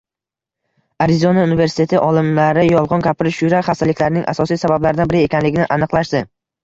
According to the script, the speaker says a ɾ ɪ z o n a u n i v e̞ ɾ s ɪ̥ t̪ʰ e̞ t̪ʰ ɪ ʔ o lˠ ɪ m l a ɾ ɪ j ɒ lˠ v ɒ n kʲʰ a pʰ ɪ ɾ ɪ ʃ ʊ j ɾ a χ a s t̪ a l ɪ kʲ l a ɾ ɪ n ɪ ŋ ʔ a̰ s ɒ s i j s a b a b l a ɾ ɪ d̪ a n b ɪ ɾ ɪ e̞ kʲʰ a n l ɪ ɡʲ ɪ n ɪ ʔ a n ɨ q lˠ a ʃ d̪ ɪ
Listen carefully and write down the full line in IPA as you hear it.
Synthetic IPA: a ɾ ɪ z o n a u n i v e̞ ɾ s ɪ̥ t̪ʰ e̞ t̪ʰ ɪ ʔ ɒ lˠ ɪ m l a ɾ ɪ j ɒ lˠ ʁ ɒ n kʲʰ a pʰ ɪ ɾ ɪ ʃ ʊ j ɾ a χ a s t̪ a l ɪ kʲ l a ɾ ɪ n ɪ ŋ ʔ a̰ s ɒ s i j s a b a b l a ɾ ɪ d̪ a n b ɪ ɾ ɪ e̞ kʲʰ a n l ɪ ɡʲ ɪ n ɪ ʔ a n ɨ q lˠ a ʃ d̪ ɪ